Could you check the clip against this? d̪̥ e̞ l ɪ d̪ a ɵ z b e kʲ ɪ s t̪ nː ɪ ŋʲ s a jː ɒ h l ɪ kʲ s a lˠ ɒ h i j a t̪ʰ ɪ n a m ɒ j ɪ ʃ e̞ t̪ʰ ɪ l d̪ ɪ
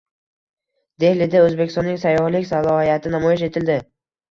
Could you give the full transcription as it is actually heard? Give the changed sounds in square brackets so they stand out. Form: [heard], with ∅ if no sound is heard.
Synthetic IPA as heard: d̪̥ e̞ l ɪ d̪ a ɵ z b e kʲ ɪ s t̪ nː ɪ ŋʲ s a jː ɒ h l ɪ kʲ s a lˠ ɒ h i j a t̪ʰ ɪ n a m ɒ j ɪ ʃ e̞ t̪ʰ ɪ l d̪ ɪ